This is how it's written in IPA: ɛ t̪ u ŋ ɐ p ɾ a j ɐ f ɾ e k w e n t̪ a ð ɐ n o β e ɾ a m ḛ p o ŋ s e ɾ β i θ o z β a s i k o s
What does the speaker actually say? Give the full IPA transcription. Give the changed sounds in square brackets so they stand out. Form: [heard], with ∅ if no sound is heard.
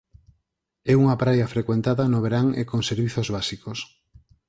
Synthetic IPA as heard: ɛ [∅] u ŋ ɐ p ɾ a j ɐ f ɾ e k w e n t̪ a ð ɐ n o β e ɾ a [ŋ] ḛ [k] o ŋ s e ɾ β i θ o z β a s i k o s